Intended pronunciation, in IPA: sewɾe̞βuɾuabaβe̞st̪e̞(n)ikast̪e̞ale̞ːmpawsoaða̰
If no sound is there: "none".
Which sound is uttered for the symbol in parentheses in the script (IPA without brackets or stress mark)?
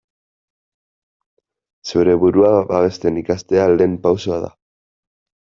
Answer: n